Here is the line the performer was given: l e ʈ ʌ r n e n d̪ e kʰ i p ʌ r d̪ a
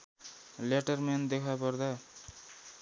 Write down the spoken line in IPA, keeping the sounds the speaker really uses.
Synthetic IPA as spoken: l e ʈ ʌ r m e n d̪ e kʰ a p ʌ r d̪ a